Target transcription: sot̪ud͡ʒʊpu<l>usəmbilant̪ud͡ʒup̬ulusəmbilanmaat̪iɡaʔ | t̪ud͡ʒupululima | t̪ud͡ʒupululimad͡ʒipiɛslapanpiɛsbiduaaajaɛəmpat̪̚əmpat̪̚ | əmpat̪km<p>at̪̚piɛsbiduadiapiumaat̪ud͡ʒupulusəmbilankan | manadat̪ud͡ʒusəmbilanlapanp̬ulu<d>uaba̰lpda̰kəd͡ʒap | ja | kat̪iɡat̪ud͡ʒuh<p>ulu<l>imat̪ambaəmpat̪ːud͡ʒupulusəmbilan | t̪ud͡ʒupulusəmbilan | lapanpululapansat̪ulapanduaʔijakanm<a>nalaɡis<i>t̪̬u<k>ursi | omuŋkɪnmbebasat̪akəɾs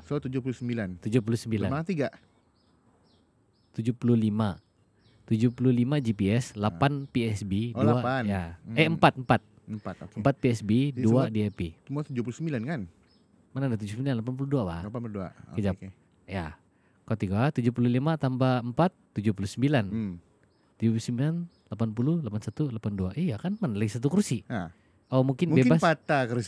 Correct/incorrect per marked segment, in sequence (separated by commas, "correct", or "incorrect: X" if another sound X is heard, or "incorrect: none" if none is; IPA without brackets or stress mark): correct, correct, correct, correct, correct, correct, incorrect: a, correct